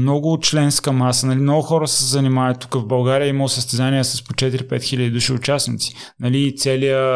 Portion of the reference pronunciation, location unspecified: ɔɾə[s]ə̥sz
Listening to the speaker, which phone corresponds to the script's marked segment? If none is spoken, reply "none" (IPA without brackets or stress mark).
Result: s